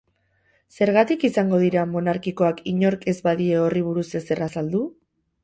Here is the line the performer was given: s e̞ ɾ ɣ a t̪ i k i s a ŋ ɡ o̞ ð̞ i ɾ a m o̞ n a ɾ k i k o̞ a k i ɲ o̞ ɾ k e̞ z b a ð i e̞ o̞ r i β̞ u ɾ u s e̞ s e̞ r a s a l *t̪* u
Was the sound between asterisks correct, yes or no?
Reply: no